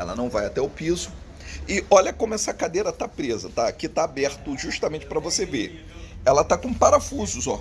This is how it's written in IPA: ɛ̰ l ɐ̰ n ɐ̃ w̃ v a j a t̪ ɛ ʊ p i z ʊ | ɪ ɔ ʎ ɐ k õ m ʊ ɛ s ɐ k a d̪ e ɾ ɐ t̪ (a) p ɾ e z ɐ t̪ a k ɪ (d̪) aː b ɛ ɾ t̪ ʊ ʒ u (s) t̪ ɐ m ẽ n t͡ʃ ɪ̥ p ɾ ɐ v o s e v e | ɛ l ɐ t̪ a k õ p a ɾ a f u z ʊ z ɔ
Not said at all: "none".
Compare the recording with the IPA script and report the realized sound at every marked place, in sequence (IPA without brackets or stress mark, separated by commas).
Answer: a, t̪, ʃ